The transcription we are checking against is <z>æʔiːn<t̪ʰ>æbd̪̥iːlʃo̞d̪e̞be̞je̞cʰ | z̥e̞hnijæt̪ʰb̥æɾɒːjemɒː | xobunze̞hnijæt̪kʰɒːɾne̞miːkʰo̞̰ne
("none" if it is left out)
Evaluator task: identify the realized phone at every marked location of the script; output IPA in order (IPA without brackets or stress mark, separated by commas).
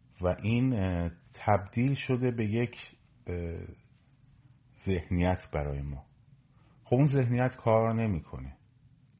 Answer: v, t̪ʰ